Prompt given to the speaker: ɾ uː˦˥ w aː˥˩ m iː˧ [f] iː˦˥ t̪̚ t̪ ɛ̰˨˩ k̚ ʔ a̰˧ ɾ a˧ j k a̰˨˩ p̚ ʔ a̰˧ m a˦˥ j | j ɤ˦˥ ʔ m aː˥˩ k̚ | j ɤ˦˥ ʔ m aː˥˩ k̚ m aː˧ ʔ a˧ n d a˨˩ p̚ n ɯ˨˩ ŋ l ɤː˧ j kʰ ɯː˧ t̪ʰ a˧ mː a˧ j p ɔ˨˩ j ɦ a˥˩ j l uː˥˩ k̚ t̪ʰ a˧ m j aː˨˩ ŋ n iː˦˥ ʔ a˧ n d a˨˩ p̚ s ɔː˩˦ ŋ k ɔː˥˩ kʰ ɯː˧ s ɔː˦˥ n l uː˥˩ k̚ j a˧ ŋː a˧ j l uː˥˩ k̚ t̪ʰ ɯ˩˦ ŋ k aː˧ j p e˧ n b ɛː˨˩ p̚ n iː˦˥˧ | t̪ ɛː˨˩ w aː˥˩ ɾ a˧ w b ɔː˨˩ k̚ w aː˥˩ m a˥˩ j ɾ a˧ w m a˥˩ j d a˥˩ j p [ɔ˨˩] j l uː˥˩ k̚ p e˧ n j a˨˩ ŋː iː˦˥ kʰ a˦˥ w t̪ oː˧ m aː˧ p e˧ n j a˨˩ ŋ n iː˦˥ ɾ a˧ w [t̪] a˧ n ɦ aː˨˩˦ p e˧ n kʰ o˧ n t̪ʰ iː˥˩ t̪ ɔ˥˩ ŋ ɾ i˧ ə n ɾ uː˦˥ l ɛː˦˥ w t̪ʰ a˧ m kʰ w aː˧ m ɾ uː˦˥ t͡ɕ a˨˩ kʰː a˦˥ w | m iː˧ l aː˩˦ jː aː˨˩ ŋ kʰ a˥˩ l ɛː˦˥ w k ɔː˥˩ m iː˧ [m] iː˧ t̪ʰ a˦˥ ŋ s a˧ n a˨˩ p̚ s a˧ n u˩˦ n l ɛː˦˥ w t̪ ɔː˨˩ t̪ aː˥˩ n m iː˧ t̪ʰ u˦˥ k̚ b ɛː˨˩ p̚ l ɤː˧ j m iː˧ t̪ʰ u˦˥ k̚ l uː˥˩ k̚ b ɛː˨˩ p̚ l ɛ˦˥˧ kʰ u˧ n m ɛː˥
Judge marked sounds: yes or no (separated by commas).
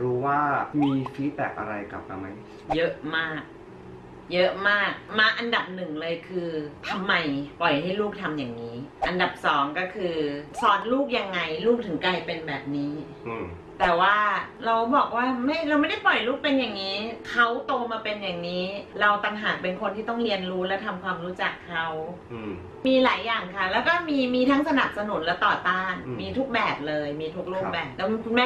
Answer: yes, yes, yes, yes